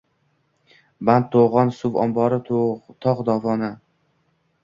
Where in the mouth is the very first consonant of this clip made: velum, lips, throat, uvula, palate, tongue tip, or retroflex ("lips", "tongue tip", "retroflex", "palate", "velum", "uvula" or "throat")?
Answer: lips